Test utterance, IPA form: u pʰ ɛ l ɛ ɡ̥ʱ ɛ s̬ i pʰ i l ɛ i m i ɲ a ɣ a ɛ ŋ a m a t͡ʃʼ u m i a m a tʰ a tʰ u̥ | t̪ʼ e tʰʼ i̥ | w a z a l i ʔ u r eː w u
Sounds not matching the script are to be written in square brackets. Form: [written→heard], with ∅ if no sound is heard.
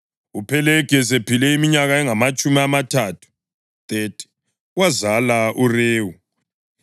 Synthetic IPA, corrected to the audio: u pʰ ɛ l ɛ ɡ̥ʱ ɛ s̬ [i→e] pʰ i l ɛ i m i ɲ a ɣ a ɛ ŋ a m a t͡ʃʼ u m i a m a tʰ a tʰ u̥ | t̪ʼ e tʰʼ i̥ | w a z a l [i→a] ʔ u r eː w u

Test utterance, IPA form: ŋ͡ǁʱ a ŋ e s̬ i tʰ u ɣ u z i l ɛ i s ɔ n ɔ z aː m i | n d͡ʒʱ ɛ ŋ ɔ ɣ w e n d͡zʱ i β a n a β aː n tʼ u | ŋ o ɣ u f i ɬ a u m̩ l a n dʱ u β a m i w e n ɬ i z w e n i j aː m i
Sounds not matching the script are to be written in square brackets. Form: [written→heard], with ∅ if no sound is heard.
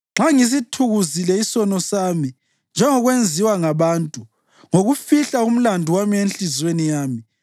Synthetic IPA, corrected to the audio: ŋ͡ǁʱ a ŋ [e→i] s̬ i tʰ u ɣ u z i l ɛ i s ɔ n ɔ [z→s] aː m i | n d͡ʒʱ ɛ ŋ ɔ ɣ w e n d͡zʱ i [β→w] a [n→ŋ] a β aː n tʼ u | ŋ o ɣ u f i ɬ a u m̩ l a n dʱ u [β→w] a m i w e n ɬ i z w e n i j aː m i

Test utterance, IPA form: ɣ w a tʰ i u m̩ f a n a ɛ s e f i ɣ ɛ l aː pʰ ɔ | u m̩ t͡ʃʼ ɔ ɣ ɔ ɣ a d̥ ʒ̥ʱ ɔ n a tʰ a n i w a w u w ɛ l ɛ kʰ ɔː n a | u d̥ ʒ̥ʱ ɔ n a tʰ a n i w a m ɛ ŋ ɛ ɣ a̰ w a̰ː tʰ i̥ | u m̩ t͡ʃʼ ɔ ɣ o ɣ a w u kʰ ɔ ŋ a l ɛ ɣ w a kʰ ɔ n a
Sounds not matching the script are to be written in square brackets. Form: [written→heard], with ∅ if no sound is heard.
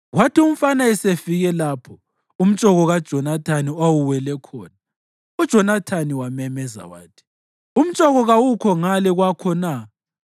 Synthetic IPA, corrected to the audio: ɣ w a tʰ i u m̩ f a n a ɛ s e f i ɣ ɛ l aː pʰ ɔ | u m̩ t͡ʃʼ ɔ ɣ ɔ ɣ a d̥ ʒ̥ʱ ɔ n a tʰ a n i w a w u w ɛ l ɛ kʰ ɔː n a | u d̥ ʒ̥ʱ ɔ n a tʰ a n i w a m ɛ [ŋ→m] ɛ [ɣ→z] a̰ w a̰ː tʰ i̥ | u m̩ t͡ʃʼ ɔ ɣ [o→ɔ] ɣ a w u kʰ ɔ ŋ a l ɛ ɣ w a kʰ ɔ n a

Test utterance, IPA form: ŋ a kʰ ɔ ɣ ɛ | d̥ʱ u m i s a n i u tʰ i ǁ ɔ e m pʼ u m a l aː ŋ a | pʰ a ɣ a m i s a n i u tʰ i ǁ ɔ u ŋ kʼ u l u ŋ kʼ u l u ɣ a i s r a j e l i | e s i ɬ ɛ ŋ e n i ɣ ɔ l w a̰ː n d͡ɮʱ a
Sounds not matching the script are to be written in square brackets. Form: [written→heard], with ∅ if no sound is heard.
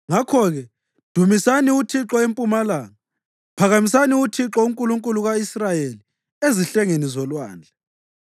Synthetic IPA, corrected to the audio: ŋ a kʰ ɔ ɣ ɛ | d̥ʱ u m i s a n i u tʰ i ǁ ɔ e m pʼ u m a l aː ŋ a | pʰ a ɣ a m i s a n i u tʰ i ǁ ɔ u ŋ kʼ u l u ŋ kʼ u l u ɣ a i s r a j e l i | e [s→z] i ɬ ɛ ŋ e n i [ɣ→z] ɔ l w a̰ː n d͡ɮʱ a

